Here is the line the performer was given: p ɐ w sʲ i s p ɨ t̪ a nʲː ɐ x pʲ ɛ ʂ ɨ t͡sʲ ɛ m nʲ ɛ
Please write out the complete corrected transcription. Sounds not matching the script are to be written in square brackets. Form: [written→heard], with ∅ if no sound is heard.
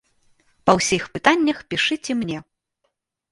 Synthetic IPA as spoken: p ɐ w sʲ i [s→x] p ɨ t̪ a nʲː ɐ x pʲ [ɛ→i] ʂ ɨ t͡sʲ ɛ m nʲ ɛ